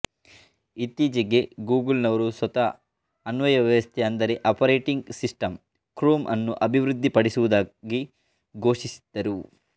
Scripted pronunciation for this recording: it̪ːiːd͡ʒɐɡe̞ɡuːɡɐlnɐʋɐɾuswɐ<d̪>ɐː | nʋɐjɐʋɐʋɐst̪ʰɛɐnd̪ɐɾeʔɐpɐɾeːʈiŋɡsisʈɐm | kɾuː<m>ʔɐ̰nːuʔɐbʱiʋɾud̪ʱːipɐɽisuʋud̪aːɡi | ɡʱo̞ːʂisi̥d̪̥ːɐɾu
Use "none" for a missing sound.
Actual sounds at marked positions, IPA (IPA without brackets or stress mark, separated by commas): t̪, m